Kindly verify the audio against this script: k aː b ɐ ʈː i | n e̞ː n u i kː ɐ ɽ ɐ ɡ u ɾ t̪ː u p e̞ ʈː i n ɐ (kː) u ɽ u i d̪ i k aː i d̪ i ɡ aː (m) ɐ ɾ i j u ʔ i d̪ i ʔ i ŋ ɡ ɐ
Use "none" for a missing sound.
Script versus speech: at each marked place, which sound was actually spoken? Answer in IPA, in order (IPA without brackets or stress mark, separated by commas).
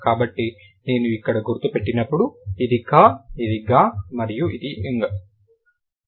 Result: pː, m